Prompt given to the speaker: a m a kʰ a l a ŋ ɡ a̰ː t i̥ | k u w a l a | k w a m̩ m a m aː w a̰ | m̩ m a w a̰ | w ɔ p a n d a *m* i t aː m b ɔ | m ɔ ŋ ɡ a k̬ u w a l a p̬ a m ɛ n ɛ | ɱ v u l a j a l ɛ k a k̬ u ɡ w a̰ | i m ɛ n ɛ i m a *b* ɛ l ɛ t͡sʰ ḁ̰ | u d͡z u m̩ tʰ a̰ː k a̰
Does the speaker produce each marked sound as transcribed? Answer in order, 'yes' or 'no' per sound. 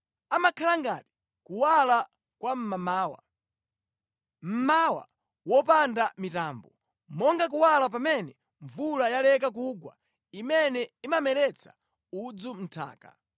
yes, no

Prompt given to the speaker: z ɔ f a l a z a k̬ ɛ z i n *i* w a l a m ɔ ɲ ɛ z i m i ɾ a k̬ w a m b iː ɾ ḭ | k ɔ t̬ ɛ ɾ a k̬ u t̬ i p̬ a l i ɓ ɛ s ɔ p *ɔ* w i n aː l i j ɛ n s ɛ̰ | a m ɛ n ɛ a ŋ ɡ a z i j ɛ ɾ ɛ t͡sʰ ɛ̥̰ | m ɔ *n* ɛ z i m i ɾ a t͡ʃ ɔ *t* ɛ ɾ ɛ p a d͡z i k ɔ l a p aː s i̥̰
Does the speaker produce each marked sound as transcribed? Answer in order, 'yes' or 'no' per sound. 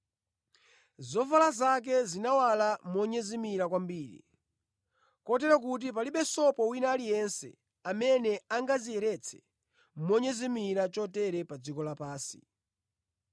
no, yes, no, yes

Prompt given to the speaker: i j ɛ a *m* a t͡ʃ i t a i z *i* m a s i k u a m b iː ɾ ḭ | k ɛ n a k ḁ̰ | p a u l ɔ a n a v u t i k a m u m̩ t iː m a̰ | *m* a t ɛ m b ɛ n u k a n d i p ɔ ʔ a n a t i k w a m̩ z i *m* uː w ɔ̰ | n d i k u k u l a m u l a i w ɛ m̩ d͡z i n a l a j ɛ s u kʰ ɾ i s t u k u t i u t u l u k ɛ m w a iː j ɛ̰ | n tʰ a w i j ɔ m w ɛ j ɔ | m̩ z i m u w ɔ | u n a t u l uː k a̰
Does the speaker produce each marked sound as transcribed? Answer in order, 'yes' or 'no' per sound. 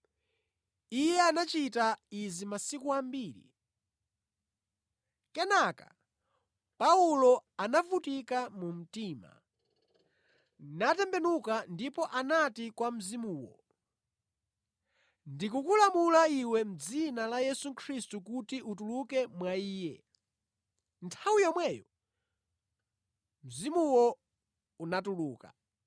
no, yes, no, yes

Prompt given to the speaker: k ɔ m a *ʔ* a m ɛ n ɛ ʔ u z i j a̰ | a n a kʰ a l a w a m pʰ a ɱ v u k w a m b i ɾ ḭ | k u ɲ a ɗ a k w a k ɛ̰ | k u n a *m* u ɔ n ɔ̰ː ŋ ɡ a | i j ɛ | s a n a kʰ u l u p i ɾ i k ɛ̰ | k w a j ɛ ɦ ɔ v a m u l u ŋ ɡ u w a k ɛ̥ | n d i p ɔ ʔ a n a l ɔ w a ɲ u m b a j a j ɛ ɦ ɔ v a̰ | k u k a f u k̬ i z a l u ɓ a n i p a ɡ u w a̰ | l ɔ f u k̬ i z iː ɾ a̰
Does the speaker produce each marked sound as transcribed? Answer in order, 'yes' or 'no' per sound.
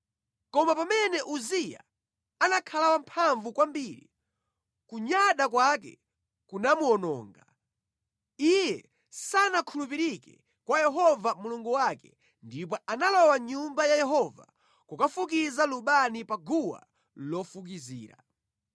no, yes

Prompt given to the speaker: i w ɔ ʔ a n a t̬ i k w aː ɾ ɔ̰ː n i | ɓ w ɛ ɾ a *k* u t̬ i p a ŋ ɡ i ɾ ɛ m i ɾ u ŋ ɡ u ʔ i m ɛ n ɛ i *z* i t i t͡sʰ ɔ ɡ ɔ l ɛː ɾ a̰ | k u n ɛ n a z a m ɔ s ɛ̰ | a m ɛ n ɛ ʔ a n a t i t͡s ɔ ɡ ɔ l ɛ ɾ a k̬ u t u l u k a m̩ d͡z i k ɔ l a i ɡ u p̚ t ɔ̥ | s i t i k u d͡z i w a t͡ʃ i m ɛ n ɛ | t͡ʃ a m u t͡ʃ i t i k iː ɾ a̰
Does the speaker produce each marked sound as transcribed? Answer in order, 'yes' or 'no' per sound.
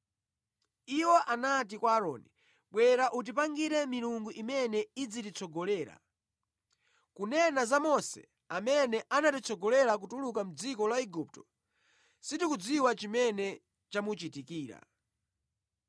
no, no

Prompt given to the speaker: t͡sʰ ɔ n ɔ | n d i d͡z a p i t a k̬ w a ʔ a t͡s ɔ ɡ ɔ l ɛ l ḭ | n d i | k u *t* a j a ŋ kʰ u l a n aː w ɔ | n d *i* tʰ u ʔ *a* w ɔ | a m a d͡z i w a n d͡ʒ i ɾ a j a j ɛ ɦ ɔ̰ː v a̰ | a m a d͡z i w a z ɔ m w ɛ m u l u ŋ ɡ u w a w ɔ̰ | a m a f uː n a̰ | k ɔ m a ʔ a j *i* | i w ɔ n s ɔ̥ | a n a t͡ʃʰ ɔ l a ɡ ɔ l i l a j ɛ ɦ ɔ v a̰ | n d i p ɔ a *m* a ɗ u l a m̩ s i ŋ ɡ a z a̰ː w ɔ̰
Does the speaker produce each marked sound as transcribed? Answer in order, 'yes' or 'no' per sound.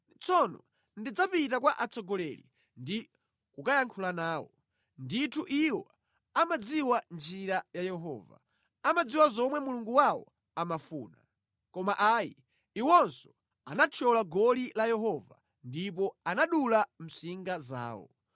no, yes, no, yes, no

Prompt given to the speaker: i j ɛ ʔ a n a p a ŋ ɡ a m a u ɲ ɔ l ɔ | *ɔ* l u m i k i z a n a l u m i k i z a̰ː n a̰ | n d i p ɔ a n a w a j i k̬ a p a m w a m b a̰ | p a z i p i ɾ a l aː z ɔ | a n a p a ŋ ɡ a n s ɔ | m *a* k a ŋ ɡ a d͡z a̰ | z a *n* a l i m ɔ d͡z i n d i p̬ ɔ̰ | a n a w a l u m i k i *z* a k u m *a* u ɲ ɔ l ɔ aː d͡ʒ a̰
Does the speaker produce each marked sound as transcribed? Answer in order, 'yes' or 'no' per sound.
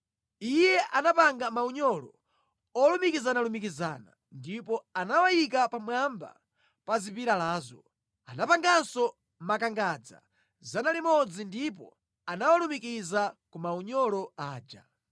yes, yes, yes, yes, yes

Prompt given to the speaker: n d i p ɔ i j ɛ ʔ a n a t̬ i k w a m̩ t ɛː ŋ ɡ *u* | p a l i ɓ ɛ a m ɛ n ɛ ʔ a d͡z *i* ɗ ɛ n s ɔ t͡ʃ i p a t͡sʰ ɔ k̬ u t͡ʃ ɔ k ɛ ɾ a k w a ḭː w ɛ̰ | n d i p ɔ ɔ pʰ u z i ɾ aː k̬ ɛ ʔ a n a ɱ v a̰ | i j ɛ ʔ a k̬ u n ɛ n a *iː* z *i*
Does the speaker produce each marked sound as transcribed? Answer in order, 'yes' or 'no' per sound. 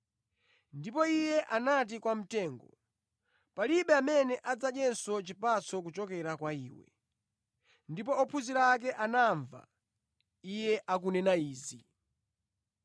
no, no, yes, yes

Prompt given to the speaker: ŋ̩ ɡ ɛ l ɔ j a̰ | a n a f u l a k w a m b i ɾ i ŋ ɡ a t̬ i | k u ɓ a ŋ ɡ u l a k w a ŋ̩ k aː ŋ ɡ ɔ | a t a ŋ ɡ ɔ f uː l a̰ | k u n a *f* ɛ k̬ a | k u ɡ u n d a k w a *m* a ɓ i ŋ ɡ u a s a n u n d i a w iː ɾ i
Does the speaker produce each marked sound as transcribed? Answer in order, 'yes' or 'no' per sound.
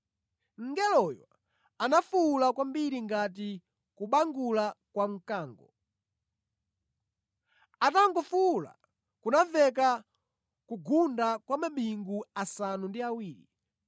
no, yes

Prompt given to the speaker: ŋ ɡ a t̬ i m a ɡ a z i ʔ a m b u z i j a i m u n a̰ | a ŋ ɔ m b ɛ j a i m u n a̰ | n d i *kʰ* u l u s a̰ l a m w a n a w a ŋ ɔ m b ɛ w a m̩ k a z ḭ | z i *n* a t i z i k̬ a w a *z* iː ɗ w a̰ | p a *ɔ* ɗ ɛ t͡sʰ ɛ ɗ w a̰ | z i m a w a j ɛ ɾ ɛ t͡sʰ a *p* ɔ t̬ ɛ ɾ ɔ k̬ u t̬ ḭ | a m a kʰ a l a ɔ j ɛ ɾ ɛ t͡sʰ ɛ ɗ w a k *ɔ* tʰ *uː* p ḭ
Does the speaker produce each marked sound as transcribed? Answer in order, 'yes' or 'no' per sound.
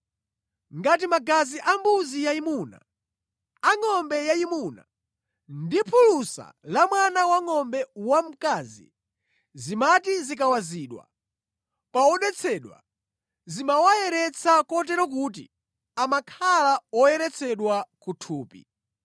no, no, yes, yes, no, no, yes

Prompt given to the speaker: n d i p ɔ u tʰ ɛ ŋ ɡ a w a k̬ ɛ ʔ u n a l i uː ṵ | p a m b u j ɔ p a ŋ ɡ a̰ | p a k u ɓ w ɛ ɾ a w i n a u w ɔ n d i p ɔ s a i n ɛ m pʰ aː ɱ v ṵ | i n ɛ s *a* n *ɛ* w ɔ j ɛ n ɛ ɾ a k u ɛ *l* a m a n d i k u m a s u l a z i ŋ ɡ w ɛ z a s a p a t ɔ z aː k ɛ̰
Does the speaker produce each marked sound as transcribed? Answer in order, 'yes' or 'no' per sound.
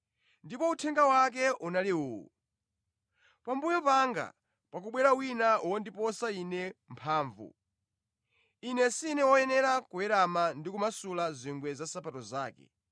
no, yes, no

